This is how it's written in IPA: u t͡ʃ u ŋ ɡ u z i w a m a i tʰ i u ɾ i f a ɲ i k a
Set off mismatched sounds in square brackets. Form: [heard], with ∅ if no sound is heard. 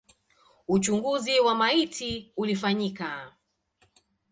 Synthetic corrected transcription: u t͡ʃ u ŋ ɡ u z i w a m a i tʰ i u [l] i f a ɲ i k a